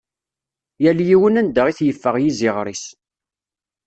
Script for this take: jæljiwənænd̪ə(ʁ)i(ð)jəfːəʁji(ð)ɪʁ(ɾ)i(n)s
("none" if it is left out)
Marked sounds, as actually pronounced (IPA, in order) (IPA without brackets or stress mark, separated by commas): ʁ, θ, z, ɾ, none